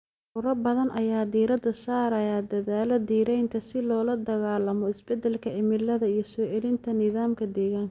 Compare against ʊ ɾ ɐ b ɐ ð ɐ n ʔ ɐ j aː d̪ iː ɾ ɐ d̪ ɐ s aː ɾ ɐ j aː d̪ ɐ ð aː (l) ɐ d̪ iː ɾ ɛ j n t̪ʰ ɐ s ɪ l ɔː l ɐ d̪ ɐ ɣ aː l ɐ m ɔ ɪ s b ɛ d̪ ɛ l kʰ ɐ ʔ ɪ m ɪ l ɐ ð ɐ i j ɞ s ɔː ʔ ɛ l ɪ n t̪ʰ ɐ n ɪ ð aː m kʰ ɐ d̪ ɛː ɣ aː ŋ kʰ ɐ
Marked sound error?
no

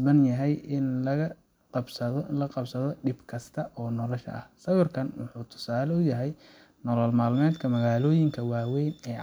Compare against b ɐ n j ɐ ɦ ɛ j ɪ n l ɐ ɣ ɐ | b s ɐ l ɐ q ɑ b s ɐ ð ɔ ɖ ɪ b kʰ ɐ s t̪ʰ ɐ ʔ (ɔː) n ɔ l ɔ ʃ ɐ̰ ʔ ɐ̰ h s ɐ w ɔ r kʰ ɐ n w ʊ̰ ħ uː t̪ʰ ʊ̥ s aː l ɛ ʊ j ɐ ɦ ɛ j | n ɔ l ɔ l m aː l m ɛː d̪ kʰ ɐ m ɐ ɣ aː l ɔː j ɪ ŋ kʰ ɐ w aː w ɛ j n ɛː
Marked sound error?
no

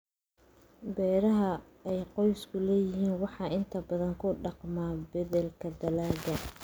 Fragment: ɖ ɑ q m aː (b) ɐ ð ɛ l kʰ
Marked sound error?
no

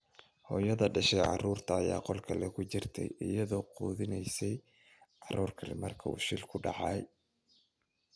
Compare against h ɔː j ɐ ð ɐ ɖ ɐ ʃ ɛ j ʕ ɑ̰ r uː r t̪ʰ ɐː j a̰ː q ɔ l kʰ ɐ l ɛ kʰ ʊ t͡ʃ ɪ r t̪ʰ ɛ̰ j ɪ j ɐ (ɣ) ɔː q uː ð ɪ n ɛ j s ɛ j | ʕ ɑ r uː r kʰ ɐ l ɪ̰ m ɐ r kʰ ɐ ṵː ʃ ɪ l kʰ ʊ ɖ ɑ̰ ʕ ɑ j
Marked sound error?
yes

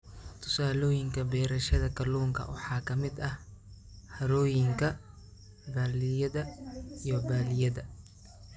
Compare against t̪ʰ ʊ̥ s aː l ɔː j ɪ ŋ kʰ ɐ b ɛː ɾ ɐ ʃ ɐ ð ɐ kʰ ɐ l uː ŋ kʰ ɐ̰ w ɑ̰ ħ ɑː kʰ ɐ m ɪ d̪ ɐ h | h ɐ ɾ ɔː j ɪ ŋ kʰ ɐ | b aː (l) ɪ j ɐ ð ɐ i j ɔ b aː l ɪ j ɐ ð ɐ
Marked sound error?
no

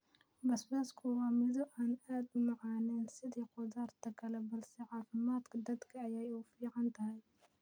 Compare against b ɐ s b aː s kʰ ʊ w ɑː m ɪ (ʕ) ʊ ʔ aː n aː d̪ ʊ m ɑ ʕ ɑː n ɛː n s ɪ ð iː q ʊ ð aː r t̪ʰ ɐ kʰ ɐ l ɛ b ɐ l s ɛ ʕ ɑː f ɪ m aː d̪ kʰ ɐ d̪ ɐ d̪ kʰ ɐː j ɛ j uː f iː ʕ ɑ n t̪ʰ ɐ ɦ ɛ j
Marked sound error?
yes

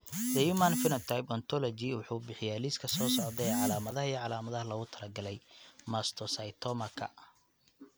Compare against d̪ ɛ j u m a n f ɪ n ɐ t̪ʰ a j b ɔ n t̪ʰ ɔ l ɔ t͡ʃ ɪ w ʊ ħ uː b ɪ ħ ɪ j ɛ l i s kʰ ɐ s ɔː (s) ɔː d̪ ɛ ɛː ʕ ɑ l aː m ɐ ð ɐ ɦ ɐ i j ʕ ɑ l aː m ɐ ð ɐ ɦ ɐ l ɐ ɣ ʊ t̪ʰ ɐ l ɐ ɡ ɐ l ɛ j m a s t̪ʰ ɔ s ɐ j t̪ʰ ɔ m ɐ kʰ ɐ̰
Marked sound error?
no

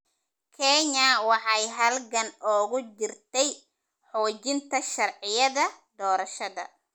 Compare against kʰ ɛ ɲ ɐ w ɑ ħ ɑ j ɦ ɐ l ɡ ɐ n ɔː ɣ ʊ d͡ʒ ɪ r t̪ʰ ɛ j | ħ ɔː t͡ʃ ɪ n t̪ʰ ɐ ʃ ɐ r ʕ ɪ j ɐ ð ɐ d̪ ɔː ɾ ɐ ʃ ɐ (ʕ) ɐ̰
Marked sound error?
yes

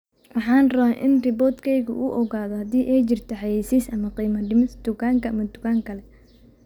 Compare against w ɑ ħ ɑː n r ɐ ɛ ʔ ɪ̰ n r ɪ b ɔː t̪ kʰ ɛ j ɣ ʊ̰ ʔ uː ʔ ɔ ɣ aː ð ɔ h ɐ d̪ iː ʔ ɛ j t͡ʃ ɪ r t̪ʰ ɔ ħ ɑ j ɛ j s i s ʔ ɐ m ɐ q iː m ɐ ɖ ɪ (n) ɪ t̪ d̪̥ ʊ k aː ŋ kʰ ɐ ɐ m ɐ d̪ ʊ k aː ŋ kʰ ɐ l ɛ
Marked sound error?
yes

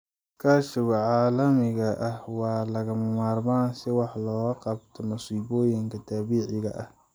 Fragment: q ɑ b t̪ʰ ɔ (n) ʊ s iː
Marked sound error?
yes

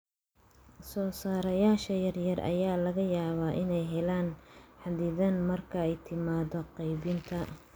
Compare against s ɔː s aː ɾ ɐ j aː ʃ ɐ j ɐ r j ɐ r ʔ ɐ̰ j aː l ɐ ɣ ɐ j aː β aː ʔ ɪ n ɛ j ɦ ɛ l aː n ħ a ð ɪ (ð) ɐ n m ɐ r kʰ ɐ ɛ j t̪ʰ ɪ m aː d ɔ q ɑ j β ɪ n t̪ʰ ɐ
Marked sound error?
no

